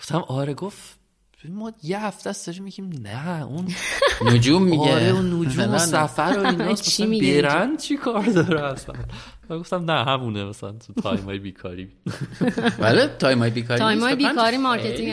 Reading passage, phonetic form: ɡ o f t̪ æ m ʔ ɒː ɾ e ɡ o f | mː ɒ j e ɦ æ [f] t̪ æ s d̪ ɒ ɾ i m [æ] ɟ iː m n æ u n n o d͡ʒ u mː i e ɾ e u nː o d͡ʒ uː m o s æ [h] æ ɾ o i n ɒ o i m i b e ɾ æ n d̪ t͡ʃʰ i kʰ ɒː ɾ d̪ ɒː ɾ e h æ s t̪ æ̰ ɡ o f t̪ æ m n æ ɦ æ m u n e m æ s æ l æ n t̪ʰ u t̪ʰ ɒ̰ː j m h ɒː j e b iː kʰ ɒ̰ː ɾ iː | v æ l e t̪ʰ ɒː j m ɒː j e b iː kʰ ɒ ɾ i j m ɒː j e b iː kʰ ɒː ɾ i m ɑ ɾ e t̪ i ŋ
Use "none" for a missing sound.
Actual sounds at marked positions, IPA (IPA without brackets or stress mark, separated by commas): f, i, f